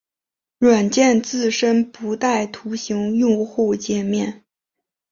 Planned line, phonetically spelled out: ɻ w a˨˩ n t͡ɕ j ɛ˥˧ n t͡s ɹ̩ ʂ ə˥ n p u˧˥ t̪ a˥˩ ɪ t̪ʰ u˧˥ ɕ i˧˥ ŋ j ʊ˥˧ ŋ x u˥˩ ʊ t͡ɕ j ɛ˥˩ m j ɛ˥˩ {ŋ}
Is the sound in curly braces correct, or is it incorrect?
incorrect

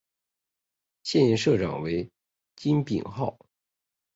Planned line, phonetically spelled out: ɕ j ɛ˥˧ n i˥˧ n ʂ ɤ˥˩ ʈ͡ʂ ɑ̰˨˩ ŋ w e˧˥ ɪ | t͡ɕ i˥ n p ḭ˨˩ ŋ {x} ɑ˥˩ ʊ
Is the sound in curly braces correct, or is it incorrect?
correct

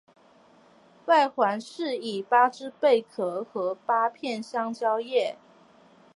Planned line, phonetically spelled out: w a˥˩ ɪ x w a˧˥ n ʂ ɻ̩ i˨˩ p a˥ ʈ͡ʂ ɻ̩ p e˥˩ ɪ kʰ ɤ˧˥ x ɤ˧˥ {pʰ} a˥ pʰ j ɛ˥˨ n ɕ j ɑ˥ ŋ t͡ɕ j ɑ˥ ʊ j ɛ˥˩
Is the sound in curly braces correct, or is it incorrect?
incorrect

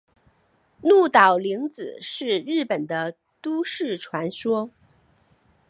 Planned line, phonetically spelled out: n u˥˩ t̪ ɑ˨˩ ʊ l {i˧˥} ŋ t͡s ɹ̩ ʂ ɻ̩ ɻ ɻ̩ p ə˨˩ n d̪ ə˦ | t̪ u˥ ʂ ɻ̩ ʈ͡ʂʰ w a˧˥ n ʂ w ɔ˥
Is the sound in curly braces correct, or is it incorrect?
correct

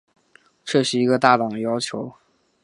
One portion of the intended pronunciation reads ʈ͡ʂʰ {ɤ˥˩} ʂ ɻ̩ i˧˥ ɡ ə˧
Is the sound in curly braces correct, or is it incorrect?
correct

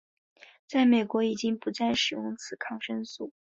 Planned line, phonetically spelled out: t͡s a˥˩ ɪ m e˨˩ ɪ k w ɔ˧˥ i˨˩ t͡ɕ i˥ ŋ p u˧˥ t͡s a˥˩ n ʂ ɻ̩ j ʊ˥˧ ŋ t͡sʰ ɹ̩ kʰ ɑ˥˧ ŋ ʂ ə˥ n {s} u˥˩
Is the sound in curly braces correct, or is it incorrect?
correct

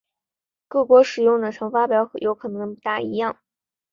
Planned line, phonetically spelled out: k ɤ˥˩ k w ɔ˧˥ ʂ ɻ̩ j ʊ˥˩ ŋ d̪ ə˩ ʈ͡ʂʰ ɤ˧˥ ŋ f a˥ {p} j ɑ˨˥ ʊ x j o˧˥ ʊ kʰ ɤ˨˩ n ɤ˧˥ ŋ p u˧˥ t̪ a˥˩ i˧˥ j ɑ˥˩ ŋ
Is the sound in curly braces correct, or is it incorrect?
correct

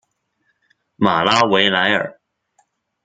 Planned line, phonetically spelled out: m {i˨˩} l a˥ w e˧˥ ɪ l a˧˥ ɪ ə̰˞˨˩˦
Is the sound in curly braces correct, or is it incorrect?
incorrect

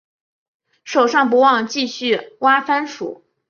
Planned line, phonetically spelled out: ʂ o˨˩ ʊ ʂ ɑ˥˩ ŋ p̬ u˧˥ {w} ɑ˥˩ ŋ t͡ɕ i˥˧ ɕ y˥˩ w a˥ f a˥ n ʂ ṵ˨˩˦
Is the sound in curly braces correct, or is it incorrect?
correct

